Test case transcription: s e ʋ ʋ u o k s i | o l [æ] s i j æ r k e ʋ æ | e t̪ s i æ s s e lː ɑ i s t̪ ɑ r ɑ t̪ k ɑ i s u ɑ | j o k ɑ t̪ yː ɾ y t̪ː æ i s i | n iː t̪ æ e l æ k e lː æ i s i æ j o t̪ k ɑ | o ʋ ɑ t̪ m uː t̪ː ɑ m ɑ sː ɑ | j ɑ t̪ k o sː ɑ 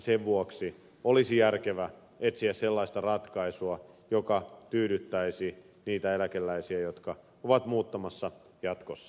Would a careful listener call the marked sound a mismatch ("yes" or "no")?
yes